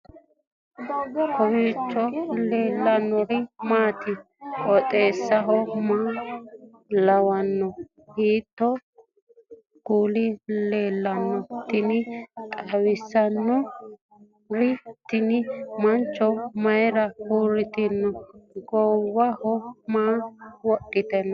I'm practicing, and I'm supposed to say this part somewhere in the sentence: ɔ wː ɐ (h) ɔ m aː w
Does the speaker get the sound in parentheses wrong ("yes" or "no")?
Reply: no